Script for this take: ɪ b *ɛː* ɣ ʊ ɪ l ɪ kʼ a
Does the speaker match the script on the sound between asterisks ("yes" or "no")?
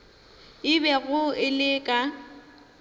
no